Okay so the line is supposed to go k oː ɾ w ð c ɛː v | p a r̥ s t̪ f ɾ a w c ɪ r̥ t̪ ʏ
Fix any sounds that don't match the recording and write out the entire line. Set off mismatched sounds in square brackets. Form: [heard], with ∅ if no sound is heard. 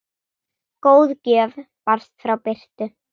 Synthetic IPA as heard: k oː [∅] w ð c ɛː v | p a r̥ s t̪ f ɾ a w [p] ɪ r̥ t̪ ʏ